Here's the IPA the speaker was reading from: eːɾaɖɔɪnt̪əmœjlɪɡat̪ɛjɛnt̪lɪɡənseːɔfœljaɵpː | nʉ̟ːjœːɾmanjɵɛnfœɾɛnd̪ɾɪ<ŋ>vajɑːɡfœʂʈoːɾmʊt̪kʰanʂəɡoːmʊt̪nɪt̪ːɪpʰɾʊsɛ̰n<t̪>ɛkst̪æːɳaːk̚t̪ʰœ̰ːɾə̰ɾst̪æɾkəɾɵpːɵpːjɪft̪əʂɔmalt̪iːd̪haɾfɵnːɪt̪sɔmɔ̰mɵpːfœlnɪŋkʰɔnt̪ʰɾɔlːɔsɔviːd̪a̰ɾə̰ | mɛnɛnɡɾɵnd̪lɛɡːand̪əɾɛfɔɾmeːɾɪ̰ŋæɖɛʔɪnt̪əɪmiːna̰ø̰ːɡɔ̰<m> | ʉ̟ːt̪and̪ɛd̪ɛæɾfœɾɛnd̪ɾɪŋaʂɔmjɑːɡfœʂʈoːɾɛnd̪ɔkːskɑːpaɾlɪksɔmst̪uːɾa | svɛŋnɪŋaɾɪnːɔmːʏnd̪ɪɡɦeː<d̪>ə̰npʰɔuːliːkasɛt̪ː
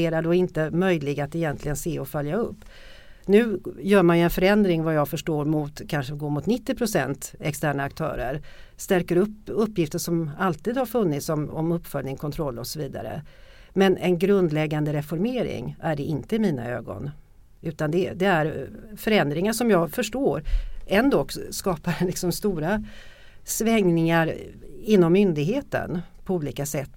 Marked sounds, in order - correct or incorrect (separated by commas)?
correct, correct, incorrect, incorrect